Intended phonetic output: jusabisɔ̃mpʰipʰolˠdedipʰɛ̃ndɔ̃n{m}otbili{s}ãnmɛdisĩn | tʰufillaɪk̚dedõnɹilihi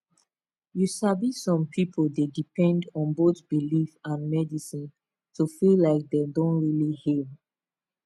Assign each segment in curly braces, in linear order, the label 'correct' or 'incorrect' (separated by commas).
incorrect, incorrect